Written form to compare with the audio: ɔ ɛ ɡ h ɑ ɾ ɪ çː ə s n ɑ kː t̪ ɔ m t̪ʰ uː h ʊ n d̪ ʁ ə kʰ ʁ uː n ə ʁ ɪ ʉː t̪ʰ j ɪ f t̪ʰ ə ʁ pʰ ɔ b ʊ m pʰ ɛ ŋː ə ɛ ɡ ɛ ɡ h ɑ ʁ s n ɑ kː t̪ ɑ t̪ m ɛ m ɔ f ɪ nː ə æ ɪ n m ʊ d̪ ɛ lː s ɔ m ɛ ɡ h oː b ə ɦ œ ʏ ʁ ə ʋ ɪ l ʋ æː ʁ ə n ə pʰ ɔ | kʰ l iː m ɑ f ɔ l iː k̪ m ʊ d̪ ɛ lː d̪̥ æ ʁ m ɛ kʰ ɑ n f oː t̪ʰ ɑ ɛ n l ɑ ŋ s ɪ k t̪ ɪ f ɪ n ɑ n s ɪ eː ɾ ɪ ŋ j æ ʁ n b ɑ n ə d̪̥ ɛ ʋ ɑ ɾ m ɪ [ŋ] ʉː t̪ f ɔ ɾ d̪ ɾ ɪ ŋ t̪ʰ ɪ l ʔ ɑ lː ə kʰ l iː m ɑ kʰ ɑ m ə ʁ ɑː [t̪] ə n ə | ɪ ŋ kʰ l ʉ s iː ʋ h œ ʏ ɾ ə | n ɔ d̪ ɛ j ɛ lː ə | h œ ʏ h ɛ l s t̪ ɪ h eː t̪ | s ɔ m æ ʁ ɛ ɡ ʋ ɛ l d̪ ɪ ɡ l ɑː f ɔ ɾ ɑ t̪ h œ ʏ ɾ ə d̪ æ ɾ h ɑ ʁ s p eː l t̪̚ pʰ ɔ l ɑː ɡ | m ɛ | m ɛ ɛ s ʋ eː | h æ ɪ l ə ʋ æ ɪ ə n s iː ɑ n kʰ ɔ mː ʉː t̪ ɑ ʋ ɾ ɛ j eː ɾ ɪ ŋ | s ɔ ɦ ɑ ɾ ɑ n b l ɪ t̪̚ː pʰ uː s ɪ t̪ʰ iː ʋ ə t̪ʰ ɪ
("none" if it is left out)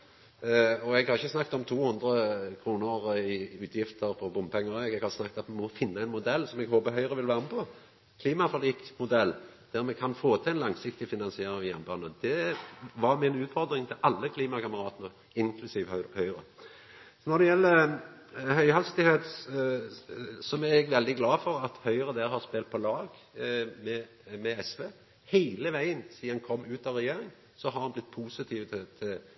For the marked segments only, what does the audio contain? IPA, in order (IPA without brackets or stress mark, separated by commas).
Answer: n, t̪